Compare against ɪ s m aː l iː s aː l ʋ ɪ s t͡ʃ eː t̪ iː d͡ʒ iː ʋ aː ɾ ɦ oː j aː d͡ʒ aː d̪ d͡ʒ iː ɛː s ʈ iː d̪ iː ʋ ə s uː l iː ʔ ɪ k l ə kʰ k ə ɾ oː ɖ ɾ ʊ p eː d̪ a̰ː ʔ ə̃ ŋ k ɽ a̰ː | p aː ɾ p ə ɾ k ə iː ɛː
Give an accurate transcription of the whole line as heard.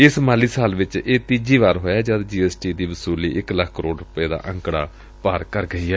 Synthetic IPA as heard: ɪ s m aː l iː s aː l ʋ ɪ t͡ʃ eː t̪ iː d͡ʒ iː ʋ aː ɾ ɦ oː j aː d͡ʒ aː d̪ d͡ʒ iː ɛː s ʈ iː d̪ iː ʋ ə s uː l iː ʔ ɪ k l ə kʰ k ə ɾ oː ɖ ɾ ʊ p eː d̪ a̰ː ʔ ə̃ ŋ k ɽ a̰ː | p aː ɾ k ə ɾ ɡ ə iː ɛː